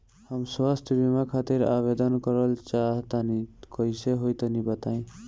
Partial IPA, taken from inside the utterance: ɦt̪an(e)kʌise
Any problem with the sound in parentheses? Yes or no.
yes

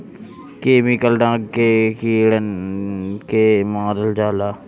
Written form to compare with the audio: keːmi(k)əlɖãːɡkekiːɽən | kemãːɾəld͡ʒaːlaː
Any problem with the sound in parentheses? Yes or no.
no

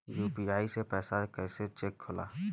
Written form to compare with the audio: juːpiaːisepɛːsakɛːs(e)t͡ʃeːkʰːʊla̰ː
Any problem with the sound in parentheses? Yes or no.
no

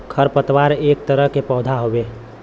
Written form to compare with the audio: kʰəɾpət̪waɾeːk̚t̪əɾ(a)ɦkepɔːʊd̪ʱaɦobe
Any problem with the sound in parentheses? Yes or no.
yes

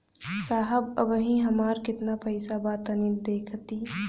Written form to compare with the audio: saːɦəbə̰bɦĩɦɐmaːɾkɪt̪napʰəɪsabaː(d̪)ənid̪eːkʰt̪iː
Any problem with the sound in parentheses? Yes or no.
yes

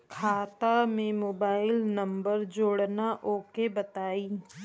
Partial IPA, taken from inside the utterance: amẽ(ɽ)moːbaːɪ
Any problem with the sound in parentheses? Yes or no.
yes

